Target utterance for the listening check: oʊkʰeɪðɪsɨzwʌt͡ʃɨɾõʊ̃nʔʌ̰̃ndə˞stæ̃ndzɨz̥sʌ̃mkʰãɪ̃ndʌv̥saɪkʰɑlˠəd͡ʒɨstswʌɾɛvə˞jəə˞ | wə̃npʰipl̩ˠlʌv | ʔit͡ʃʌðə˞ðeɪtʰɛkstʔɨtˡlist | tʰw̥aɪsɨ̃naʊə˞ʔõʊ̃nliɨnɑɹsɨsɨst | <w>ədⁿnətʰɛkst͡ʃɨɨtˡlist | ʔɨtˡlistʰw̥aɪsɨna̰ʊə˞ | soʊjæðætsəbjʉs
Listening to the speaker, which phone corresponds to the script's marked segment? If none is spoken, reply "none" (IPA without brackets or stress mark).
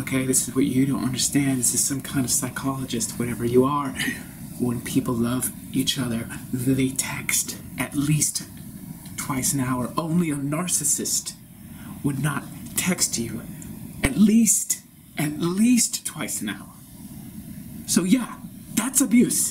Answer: w